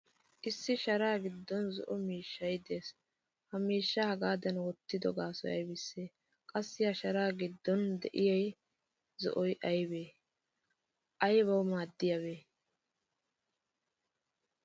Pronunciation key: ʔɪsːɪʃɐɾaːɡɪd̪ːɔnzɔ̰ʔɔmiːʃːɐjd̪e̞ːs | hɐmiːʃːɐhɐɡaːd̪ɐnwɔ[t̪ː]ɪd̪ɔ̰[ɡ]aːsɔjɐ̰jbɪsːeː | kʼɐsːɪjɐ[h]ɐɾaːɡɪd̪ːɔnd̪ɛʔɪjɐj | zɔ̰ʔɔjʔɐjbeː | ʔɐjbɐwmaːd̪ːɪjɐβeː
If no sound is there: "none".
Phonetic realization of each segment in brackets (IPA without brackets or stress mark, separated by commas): t̪ː, ɡ, ʃ